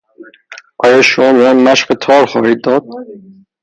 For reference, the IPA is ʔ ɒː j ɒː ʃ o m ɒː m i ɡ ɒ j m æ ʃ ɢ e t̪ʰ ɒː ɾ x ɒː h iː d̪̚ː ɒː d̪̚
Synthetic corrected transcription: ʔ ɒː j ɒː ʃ o m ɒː m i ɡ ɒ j m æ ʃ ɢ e t̪ʰ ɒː ɾ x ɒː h iː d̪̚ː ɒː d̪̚